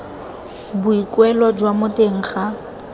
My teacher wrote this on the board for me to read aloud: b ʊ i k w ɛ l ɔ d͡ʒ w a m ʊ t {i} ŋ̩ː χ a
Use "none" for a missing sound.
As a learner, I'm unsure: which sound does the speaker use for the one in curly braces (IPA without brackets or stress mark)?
e